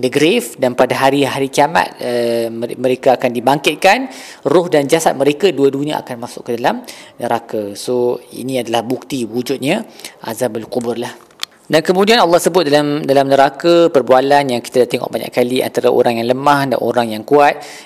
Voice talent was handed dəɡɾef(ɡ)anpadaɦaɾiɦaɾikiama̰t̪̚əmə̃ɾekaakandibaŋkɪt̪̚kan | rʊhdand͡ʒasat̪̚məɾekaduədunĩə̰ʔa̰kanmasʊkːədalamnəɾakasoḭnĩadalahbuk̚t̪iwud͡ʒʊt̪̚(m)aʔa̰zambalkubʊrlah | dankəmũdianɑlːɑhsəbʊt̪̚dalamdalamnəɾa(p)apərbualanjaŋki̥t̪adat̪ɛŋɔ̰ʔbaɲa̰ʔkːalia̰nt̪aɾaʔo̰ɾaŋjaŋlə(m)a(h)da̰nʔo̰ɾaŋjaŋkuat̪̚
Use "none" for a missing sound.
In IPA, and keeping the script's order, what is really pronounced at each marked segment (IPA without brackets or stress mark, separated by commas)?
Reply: d, ɲ, k, m, h